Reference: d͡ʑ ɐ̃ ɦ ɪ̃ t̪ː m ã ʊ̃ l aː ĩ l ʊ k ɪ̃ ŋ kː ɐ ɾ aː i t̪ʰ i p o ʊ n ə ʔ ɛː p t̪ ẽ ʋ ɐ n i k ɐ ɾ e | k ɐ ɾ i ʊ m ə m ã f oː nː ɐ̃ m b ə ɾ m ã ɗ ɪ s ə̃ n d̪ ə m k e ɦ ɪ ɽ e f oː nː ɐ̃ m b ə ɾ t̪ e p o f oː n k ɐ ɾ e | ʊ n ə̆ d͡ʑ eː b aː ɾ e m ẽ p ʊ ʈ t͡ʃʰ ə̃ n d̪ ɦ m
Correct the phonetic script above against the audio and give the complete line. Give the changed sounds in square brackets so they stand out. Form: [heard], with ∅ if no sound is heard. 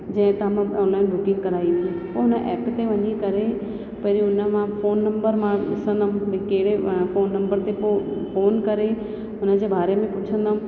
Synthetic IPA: d͡ʑ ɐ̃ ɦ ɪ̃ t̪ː m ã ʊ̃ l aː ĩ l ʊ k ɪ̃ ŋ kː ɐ ɾ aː i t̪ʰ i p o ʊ n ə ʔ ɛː p t̪ [e] ʋ ɐ [ɲ] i k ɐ ɾ e | [p] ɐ ɾ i ʊ [n] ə m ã f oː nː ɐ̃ m b ə ɾ m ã ɗ ɪ s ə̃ n d̪ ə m k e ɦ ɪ ɽ e f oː nː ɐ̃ m b ə ɾ t̪ e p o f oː n k ɐ ɾ e | ʊ n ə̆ d͡ʑ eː b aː ɾ e m ẽ p ʊ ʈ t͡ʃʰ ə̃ n d̪ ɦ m

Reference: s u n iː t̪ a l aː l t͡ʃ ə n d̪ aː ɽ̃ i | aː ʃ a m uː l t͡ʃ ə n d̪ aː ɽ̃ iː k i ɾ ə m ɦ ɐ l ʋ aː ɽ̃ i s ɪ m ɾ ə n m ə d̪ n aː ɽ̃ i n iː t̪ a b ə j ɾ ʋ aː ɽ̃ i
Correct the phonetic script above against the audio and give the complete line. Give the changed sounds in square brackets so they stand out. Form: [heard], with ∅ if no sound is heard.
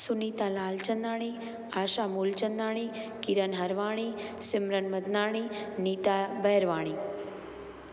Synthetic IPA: s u n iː t̪ a l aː l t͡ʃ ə n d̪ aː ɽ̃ i | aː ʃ a m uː l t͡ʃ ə n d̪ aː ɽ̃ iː k i ɾ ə [n] ɦ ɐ [ɾ] ʋ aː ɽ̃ i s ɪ m ɾ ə n m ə d̪ n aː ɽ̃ i n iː t̪ a b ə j ɾ ʋ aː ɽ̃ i

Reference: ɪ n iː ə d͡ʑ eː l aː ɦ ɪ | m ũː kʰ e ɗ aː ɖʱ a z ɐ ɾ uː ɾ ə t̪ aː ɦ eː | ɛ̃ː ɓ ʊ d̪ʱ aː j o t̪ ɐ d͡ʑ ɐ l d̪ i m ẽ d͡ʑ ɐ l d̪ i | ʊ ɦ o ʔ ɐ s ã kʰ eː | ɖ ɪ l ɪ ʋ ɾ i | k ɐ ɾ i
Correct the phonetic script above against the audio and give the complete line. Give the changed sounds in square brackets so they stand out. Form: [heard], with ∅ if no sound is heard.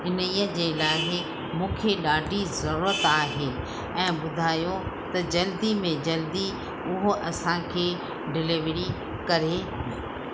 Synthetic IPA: ɪ n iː ə d͡ʑ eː l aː ɦ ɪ | m ũː kʰ e ɗ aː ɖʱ [i] z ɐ ɾ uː ɾ ə t̪ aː ɦ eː | ɛ̃ː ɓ ʊ d̪ʱ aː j o t̪ ɐ d͡ʑ ɐ l d̪ i m ẽ d͡ʑ ɐ l d̪ i | ʊ ɦ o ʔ ɐ s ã kʰ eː | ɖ ɪ l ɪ ʋ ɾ i | k ɐ ɾ [e]

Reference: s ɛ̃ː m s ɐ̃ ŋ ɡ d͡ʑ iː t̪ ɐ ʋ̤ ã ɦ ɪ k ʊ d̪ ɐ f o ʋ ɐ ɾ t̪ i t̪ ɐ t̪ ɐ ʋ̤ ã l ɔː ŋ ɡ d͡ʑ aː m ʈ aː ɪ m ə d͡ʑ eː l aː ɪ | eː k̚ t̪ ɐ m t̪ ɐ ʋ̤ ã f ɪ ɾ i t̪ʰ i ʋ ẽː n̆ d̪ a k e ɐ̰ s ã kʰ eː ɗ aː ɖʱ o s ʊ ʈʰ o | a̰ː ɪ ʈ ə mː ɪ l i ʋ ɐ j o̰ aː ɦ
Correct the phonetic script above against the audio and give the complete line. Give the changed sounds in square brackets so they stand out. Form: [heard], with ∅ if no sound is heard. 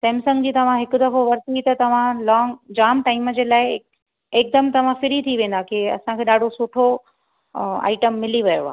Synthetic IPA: s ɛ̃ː m s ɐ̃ ŋ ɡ d͡ʑ iː t̪ ɐ ʋ̤ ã ɦ ɪ k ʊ d̪ ɐ f o ʋ ɐ ɾ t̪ i t̪ ɐ t̪ ɐ ʋ̤ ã l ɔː ŋ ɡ d͡ʑ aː m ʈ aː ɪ m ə d͡ʑ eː l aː ɪ | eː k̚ [d̪] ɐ m t̪ ɐ ʋ̤ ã f ɪ ɾ i t̪ʰ i ʋ ẽː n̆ d̪ a k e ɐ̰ s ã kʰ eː ɗ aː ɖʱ o s ʊ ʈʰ o | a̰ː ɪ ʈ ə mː ɪ l i ʋ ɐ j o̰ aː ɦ

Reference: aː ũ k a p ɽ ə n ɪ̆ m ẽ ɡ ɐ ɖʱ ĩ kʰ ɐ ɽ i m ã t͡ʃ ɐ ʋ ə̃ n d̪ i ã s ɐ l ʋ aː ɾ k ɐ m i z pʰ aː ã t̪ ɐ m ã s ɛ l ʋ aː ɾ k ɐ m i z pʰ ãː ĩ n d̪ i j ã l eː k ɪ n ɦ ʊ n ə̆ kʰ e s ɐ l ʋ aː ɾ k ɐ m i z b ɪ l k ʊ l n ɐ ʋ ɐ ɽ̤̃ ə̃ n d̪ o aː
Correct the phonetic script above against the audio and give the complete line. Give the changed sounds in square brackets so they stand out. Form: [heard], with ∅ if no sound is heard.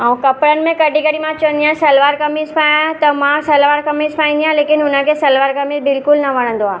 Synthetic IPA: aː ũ k [ɐ] p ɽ ə n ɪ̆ m ẽ [k] ɐ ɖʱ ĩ [k] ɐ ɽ i m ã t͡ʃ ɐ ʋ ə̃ n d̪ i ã s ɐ l ʋ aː ɾ k ɐ m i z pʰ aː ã t̪ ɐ m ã s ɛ l ʋ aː ɾ k ɐ m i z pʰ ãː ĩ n d̪ i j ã l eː k ɪ n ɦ ʊ n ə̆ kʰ e s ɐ l ʋ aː ɾ k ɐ m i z b ɪ l k ʊ l n ɐ ʋ ɐ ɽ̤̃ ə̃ n d̪ o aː

